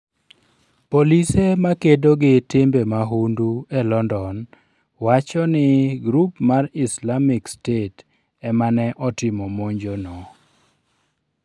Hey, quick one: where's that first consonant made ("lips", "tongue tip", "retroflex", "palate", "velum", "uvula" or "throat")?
lips